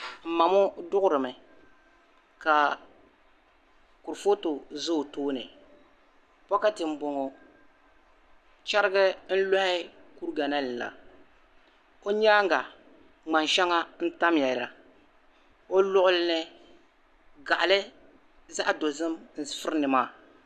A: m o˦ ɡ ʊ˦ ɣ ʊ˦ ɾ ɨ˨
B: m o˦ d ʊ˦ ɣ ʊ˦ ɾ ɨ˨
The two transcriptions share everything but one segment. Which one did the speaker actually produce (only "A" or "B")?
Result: B